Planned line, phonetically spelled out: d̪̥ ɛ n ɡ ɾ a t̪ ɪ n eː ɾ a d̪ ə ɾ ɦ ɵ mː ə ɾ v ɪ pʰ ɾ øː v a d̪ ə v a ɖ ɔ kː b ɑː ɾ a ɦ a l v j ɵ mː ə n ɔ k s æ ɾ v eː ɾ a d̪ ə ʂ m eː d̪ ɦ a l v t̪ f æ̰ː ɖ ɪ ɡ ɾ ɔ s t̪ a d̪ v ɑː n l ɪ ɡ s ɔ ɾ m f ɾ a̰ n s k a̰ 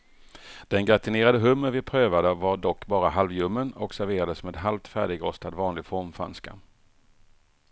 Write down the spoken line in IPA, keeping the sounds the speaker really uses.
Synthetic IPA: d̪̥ ɛ n ɡ ɾ a t̪ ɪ n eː ɾ a d̪ ə ɦ ɵ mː ə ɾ v ɪ pʰ ɾ øː v a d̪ ə v a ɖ ɔ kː b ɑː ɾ a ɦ a l v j ɵ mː ə n ɔ k s æ ɾ v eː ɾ a d̪ ə s m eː d̪ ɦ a l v t̪ f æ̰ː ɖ ɪ ɡ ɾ ɔ s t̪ a d̪ v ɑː n l ɪ ɡ f ɔ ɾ m f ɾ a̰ n s k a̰